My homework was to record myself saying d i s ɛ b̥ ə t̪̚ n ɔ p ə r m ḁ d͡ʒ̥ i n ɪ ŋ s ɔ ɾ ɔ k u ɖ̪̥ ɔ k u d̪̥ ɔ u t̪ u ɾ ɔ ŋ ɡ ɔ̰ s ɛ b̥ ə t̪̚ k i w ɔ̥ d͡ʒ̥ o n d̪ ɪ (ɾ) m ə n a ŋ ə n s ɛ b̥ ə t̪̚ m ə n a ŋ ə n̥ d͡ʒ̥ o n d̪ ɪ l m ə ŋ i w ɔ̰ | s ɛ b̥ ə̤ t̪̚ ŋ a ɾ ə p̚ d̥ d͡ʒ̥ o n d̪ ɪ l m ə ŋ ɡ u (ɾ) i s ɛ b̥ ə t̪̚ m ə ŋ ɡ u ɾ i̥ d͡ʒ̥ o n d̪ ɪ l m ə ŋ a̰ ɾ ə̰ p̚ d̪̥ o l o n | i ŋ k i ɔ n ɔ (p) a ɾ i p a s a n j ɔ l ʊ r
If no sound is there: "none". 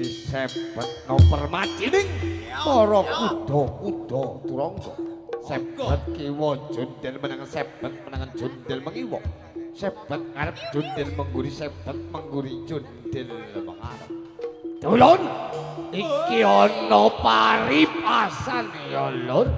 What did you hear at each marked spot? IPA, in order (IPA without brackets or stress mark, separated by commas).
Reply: l, ɾ, p